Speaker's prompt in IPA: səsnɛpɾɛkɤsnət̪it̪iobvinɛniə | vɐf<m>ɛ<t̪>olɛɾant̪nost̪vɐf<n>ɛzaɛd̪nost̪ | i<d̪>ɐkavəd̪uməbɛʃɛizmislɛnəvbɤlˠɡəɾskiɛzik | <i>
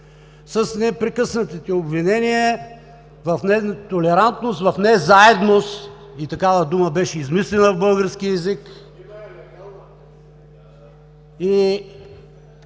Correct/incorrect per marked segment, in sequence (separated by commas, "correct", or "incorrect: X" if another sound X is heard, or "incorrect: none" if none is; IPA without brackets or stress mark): incorrect: n, correct, correct, incorrect: t̪, correct